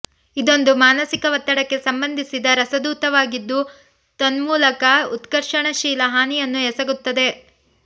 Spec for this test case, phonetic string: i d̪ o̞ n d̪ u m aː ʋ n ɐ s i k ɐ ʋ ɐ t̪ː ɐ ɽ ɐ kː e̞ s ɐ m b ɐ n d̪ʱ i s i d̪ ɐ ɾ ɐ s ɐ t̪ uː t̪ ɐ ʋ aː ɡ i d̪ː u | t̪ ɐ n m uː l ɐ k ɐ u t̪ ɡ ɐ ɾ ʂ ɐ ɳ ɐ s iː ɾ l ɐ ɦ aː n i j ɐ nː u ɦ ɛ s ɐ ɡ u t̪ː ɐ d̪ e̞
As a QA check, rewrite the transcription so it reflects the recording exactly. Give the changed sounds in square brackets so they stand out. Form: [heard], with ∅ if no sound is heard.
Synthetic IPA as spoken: i d̪ o̞ n d̪ u m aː [∅] n ɐ s i k ɐ ʋ ɐ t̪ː ɐ ɽ ɐ kː e̞ s ɐ m b ɐ n d̪ʱ i s i d̪ ɐ ɾ ɐ s ɐ [d̪] uː t̪ ɐ ʋ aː ɡ i d̪ː u | t̪ ɐ n m uː l ɐ k ɐ u t̪ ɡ ɐ ɾ ʂ ɐ ɳ ɐ [ʃ] iː [∅] l ɐ ɦ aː n i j ɐ nː u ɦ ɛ s ɐ ɡ u t̪ː ɐ d̪ e̞